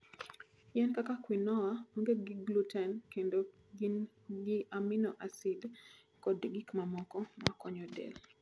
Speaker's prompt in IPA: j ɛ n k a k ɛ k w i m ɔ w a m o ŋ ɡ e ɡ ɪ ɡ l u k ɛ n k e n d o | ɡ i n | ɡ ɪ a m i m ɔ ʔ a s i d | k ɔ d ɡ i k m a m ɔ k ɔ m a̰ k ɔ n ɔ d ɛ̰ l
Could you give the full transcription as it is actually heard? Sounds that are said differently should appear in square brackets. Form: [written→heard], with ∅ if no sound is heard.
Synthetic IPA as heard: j ɛ n k a k [ɛ→a] k w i [m→n] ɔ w a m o ŋ ɡ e ɡ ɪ ɡ l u [k→t] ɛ n k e n d o | ɡ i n | ɡ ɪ a m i [m→n] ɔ ʔ a s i d | k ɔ d ɡ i k m a m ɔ k ɔ m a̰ k ɔ [n→ɲ] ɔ d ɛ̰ l